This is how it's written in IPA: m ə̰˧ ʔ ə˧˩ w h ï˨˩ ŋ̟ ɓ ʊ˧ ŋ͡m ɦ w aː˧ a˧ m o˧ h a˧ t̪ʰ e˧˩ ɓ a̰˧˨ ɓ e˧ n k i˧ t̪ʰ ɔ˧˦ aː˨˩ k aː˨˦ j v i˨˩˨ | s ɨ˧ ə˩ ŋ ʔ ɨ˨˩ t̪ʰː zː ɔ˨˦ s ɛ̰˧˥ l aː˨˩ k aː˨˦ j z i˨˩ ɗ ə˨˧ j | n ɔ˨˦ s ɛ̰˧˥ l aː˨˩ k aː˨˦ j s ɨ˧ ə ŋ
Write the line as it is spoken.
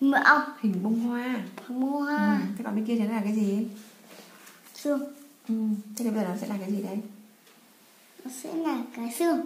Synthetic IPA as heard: m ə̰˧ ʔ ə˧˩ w h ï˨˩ ŋ̟ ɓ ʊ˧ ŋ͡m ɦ w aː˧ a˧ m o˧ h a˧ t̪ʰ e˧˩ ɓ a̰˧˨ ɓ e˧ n k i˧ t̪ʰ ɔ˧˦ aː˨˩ k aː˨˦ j z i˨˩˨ | s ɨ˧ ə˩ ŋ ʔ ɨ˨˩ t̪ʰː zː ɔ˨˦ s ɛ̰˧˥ l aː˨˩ k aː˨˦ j z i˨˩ ɗ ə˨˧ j | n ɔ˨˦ s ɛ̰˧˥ l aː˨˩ k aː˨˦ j s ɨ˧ ə ŋ